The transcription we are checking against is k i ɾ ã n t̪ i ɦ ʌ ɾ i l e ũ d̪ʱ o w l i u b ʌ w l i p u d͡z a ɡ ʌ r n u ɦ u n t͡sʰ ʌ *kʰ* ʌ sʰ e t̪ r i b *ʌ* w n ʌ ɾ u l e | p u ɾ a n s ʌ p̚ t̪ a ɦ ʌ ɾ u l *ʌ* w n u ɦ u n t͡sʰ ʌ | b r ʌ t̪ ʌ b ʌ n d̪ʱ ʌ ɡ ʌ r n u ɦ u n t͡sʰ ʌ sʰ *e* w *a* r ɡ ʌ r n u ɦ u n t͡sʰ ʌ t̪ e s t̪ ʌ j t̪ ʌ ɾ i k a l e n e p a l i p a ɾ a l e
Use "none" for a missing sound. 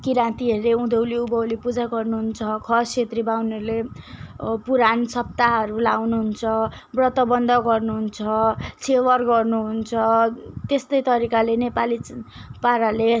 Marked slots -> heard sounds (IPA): kʰ, a, a, e, ʌ

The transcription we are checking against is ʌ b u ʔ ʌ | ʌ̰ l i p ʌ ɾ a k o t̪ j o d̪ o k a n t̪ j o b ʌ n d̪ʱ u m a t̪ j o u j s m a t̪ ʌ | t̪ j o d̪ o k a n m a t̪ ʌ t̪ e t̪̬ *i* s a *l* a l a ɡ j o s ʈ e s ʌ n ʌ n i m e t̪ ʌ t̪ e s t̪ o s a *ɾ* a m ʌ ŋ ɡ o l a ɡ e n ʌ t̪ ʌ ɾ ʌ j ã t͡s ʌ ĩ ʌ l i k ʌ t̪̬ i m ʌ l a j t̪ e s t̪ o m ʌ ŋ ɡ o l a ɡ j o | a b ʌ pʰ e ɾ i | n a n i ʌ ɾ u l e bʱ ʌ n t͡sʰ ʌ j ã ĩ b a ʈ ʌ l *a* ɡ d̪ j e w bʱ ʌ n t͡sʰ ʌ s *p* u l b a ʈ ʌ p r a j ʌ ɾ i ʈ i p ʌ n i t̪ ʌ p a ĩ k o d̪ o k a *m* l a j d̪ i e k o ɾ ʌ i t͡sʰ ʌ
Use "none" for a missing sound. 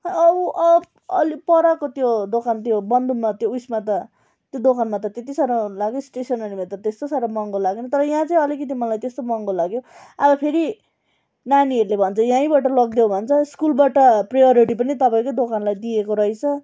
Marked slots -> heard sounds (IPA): i, ɾ, ɾ, ʌ, k, n

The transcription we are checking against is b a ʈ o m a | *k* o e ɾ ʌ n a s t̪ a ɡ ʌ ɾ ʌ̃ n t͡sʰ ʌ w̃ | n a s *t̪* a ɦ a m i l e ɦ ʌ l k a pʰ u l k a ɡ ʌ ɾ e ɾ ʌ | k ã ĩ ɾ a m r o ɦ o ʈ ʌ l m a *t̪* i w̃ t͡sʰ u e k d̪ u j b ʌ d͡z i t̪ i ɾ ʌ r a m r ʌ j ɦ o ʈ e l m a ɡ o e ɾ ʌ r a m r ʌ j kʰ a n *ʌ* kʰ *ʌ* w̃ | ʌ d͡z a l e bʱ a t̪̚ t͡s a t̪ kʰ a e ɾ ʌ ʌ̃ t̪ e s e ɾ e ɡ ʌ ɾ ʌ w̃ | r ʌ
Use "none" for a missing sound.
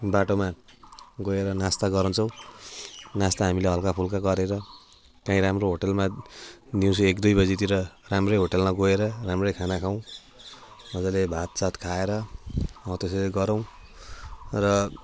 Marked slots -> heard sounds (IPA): ɡ, t̪, d̪, a, a

